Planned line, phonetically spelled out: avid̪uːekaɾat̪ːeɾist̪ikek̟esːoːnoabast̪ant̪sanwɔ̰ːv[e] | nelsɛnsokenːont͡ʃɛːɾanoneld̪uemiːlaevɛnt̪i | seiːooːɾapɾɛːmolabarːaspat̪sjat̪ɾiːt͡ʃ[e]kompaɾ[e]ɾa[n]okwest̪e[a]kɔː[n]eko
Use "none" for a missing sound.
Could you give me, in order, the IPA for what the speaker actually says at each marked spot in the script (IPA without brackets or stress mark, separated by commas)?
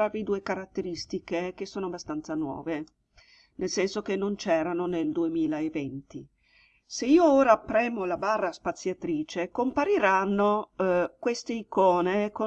e, e, i, nː, i, n